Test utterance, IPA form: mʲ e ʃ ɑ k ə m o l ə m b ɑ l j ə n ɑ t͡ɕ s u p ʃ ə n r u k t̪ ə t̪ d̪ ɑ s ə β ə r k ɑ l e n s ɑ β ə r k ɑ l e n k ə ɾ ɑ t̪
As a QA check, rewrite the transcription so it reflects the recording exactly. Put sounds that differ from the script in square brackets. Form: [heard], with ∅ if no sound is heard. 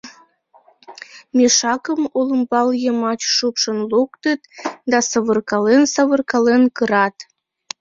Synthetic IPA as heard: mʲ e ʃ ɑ k ə m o l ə m b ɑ l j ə [m] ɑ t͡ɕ [ʃ] u p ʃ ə n [l] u k t̪ ə t̪ d̪ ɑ s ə β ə r k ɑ l e n s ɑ β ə r k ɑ l e n k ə ɾ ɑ t̪